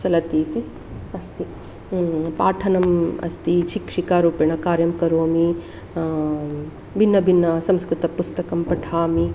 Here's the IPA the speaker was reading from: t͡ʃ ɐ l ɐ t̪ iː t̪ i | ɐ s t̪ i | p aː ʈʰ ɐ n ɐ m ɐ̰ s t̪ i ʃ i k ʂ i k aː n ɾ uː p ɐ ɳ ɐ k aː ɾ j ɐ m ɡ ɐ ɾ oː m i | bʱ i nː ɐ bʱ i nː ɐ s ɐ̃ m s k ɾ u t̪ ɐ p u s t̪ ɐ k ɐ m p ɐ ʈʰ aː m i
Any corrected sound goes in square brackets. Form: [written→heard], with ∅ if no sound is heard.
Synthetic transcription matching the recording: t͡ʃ ɐ l ɐ t̪ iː t̪ i | ɐ s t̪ i | p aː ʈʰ ɐ n ɐ m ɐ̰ s t̪ i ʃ i k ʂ i k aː [n→∅] ɾ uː p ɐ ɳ ɐ k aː ɾ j ɐ m [ɡ→k] ɐ ɾ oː m i | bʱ i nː ɐ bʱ i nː ɐ s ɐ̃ m s k ɾ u t̪ ɐ p u s t̪ ɐ k ɐ m p ɐ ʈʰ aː m i